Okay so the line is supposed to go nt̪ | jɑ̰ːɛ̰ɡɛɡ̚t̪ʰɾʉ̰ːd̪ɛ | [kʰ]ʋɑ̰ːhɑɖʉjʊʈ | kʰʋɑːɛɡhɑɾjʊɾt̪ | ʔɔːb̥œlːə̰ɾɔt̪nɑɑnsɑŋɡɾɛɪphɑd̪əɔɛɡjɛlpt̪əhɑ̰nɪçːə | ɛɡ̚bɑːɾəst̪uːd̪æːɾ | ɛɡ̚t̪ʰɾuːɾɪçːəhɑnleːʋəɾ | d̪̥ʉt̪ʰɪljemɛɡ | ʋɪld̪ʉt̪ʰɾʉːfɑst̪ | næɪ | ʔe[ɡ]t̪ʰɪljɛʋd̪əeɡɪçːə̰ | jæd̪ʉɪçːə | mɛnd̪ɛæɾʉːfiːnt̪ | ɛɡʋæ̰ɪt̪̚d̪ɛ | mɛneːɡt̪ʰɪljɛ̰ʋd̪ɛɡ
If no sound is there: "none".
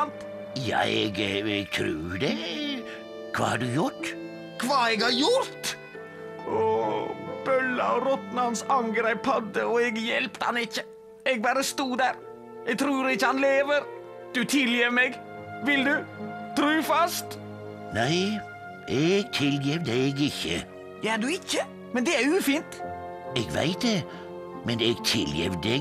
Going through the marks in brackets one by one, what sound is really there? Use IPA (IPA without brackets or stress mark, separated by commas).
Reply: kʰ, ɡ